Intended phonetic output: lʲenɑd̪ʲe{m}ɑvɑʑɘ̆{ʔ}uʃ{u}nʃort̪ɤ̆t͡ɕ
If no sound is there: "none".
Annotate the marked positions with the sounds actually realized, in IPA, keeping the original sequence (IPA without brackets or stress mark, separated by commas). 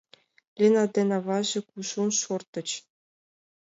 n, k, u